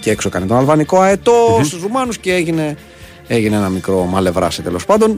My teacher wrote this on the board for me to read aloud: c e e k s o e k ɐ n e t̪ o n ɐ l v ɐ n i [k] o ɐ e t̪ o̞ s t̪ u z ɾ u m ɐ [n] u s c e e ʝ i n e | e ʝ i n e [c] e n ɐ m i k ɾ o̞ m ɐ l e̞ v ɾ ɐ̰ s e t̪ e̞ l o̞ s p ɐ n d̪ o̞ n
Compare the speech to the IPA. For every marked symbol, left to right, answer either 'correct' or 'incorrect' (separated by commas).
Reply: correct, correct, incorrect